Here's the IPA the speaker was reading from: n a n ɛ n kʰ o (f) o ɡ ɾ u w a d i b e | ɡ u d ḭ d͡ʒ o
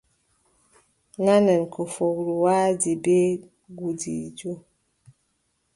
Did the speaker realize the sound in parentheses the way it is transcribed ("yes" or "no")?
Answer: yes